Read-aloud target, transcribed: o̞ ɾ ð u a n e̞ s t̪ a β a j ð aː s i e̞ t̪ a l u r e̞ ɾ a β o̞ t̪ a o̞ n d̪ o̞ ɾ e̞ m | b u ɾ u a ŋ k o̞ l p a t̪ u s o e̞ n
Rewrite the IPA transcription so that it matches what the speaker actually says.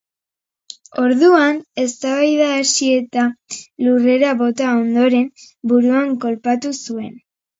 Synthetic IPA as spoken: o̞ ɾ ð u a n e̞ s t̪ a β a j ð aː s i e̞ t̪ a l u r e̞ ɾ a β o̞ t̪ a o̞ n d̪ o̞ ɾ e̞ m | b u ɾ u a ŋ k o̞ l p a t̪ u s u e̞ n